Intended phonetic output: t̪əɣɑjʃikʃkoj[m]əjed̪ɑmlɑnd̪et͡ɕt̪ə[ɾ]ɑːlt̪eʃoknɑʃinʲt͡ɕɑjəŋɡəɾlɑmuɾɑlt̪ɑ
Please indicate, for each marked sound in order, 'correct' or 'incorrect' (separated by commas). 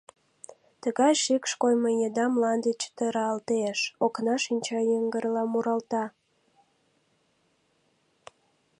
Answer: correct, correct